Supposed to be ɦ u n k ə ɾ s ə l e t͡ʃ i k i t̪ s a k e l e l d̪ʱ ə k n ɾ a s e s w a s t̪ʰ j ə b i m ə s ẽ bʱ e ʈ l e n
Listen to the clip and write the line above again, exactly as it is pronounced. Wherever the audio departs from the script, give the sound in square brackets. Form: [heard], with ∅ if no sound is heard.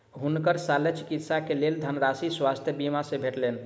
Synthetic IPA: ɦ u n k ə ɾ s [a] l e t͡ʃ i k i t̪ s a k e l e l d̪ʱ ə [∅] n ɾ a s [i] s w a s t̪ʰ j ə b i m [a] s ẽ bʱ e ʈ l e n